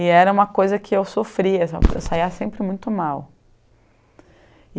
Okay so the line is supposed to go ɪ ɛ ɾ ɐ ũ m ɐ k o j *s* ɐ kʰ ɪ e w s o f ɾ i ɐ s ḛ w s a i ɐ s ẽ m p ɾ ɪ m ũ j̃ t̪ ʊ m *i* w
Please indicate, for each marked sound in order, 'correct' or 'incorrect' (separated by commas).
incorrect, incorrect